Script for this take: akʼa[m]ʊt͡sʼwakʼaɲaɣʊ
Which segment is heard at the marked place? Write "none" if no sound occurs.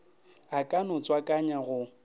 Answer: n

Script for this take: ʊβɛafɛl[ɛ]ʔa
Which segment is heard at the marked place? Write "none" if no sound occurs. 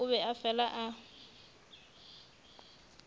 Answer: a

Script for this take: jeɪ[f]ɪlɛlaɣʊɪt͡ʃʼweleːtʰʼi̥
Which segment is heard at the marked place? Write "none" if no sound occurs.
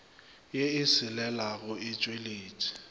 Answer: s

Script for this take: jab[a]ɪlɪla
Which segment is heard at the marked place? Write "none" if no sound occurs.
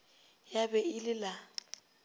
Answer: ɛ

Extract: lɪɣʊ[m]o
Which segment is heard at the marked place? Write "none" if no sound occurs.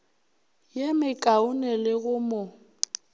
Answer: m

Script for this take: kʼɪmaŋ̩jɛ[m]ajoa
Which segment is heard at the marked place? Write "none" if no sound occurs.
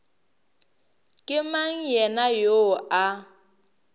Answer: n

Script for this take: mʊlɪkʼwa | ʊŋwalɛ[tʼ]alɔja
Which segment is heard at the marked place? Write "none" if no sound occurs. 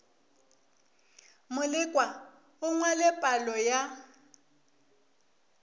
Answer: pʼ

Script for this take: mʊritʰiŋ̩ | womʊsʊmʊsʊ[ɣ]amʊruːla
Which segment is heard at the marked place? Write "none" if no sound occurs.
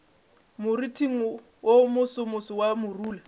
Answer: w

